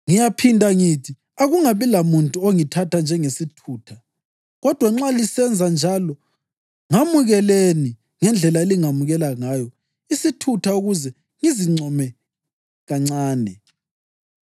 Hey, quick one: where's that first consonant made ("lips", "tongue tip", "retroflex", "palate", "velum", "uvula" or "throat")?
velum